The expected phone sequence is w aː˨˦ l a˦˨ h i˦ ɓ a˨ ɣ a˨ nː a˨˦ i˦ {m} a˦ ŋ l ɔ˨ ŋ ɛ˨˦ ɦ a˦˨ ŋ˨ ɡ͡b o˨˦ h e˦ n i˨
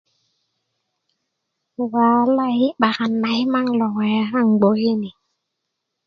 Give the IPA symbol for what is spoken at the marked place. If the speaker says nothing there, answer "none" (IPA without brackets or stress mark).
m